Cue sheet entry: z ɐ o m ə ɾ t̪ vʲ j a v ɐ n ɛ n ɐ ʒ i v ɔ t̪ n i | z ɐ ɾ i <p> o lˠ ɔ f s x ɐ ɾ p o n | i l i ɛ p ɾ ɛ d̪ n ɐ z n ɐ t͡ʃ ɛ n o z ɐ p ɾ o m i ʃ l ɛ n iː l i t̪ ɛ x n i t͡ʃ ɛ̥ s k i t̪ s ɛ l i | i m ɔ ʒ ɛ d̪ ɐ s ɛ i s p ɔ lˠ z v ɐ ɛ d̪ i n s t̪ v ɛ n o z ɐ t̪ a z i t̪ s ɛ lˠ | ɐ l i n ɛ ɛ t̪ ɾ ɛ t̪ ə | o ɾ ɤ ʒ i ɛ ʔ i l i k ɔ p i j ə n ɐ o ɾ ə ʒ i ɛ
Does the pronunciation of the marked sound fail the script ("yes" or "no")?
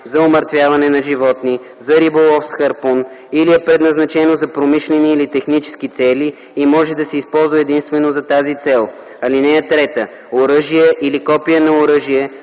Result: yes